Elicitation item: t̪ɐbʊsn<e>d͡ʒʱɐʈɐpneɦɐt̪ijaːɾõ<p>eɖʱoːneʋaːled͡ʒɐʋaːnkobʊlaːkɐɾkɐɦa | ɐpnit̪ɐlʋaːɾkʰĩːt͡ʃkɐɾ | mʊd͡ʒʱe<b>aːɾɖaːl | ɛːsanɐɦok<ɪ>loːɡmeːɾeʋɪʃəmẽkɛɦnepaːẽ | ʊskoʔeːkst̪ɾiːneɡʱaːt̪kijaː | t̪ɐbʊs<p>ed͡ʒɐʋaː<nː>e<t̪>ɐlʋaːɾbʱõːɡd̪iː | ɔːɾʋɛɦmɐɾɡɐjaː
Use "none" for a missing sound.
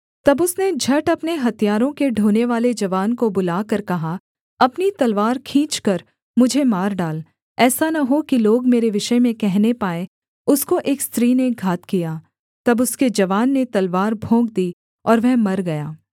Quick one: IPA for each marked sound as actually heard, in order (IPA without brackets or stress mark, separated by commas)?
e, k, m, i, k, nː, t̪